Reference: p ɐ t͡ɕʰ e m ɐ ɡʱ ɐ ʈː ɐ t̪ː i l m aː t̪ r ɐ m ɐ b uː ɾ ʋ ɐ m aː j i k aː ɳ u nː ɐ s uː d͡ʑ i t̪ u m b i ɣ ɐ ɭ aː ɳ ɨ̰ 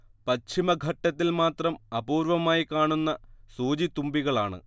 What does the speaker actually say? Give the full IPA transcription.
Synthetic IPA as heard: p ɐ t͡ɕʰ i m ɐ ɡʱ ɐ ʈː ɐ t̪ː i l m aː t̪ r ɐ m ɐ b uː ɾ ʋ ɐ m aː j i k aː ɳ u nː ɐ s uː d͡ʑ i t̪ u m b i ɣ ɐ ɭ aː ɳ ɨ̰